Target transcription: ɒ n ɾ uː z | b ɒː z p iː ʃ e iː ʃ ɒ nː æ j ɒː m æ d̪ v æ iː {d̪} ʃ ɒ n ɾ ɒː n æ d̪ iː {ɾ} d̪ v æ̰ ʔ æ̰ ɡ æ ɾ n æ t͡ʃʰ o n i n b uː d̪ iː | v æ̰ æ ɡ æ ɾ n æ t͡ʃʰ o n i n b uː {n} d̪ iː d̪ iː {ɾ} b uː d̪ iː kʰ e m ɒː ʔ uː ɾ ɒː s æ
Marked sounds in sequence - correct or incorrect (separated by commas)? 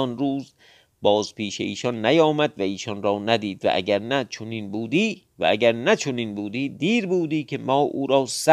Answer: incorrect, incorrect, incorrect, correct